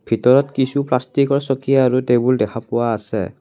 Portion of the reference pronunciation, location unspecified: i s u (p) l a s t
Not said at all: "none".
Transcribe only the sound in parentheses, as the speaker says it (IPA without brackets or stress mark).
p